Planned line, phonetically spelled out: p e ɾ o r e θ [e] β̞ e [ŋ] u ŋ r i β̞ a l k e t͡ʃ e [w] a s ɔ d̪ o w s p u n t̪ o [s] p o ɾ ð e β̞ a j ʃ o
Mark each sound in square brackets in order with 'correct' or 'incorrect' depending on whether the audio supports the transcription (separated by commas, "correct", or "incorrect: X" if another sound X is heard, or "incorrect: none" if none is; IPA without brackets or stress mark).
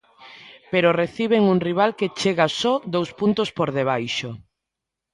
incorrect: i, correct, incorrect: ɣ, correct